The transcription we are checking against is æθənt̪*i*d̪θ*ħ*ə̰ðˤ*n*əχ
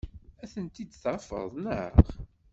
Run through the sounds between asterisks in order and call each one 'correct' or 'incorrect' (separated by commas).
correct, incorrect, correct